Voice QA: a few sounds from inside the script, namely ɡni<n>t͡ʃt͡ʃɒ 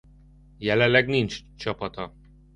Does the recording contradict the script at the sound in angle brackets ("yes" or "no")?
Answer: no